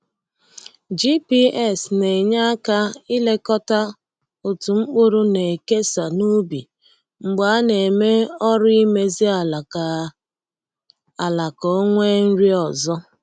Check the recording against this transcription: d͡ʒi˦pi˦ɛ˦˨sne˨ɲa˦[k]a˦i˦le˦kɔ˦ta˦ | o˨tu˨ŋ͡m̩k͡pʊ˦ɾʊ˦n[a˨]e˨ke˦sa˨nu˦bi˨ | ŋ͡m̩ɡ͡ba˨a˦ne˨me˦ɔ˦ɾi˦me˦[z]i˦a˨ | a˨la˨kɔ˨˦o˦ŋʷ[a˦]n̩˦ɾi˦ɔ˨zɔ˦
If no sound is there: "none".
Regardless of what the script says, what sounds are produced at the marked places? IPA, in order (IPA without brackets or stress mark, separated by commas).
k, e˨, z, e˦